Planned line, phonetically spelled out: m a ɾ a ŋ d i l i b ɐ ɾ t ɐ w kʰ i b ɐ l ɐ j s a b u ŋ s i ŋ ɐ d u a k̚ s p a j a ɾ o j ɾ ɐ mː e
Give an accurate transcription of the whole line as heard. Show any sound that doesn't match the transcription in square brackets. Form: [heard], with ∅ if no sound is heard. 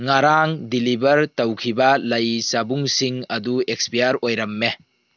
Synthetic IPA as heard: [ŋ] a ɾ a ŋ d i l i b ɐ ɾ t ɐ w kʰ i b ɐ l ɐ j s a b u ŋ s i ŋ ɐ d u [e] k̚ s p [i] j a ɾ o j ɾ ɐ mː e